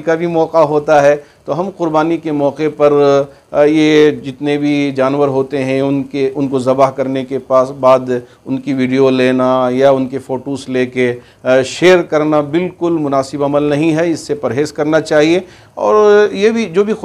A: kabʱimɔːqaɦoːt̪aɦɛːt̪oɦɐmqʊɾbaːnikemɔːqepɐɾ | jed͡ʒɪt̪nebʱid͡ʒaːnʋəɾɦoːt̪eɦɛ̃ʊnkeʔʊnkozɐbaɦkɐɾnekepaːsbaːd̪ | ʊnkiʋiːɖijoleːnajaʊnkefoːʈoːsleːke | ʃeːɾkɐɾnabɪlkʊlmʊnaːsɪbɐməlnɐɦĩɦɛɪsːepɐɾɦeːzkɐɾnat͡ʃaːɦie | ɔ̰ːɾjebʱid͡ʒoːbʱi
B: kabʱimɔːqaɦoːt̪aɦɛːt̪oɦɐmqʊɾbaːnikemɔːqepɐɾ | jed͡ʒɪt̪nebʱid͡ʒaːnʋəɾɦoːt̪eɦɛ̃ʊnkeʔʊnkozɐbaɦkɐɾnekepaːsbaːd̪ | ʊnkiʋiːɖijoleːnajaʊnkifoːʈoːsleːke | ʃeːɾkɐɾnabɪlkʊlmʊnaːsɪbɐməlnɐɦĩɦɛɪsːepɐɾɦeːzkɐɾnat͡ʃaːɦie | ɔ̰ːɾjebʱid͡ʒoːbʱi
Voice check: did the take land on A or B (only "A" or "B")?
A